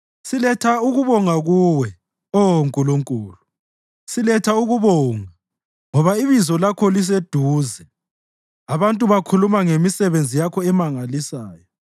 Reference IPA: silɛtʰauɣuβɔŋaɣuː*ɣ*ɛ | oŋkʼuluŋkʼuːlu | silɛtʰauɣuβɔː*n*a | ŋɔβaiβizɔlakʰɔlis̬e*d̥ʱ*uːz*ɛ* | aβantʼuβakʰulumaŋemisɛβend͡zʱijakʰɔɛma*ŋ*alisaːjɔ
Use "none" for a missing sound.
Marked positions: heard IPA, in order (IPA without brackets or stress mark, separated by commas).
w, ŋ, d̥ʱ, ɛ, ŋ